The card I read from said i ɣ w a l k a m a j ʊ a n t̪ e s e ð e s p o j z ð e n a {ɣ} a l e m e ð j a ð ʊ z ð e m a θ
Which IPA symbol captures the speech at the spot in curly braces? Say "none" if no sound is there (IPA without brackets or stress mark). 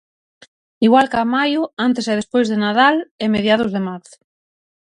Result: ð